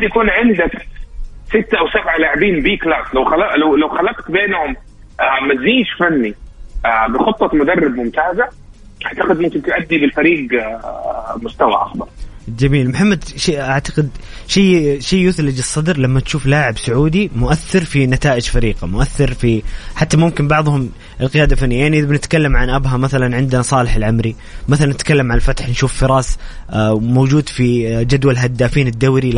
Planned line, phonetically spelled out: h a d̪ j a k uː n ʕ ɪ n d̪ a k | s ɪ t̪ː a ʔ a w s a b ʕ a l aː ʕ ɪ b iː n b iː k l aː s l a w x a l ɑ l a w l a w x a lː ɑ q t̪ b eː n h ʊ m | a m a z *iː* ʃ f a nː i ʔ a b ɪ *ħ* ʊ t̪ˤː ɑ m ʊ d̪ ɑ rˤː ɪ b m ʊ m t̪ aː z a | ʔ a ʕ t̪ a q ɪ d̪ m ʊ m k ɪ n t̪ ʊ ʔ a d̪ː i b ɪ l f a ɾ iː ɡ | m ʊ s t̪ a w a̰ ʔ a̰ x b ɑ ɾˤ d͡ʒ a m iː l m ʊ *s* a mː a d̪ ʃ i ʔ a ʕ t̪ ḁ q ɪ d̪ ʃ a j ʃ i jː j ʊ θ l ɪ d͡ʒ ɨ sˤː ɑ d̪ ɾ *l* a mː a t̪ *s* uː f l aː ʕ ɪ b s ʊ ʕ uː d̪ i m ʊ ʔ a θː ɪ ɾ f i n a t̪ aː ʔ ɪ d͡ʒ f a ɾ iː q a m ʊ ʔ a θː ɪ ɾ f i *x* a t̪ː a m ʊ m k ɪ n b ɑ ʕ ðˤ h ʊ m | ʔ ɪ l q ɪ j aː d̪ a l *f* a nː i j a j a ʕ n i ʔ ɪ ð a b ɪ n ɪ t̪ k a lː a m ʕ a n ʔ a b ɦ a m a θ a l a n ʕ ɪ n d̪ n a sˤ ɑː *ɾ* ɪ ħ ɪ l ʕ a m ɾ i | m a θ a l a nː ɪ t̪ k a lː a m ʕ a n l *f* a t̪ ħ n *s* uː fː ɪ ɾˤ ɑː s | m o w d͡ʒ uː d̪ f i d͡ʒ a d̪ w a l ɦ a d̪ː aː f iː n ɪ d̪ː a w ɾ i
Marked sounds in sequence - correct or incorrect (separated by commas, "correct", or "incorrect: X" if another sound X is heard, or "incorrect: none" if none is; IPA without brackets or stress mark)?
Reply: correct, incorrect: x, incorrect: ħ, correct, incorrect: ʃ, incorrect: ħ, correct, incorrect: l, correct, incorrect: ʃ